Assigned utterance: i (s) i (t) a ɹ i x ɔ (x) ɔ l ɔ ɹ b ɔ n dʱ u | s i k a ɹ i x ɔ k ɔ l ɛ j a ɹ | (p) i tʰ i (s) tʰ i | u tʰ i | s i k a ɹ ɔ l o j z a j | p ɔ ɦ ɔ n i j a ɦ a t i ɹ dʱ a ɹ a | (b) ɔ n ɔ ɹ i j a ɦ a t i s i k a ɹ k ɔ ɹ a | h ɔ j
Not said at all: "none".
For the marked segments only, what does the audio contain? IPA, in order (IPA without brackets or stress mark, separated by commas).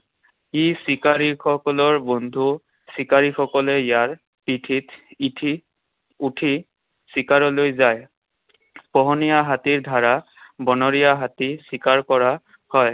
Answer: s, k, k, p, t, b